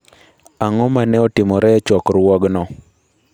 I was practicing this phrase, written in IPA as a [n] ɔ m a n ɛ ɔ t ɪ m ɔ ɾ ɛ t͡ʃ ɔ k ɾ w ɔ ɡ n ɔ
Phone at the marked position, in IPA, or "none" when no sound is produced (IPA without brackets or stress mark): ŋ